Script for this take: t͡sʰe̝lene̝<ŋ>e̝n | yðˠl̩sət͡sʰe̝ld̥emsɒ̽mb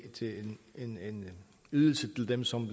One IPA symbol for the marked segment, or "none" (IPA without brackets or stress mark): n